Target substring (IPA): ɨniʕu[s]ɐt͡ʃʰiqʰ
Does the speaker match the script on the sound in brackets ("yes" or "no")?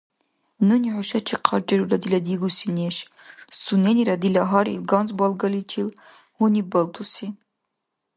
no